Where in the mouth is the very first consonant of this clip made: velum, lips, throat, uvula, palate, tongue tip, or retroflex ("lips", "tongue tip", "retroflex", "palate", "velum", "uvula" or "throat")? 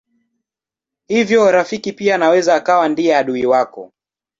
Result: throat